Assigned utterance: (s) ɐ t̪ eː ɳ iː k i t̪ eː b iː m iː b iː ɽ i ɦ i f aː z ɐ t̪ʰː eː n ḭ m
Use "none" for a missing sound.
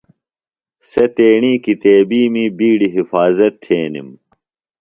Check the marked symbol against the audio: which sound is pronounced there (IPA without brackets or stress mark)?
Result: s